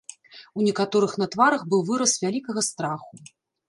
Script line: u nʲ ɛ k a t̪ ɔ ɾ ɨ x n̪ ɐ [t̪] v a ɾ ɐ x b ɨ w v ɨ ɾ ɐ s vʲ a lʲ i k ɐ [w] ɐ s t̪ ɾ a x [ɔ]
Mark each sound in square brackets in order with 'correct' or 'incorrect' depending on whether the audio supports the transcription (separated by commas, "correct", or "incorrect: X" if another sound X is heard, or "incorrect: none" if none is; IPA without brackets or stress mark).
correct, incorrect: ɣ, incorrect: u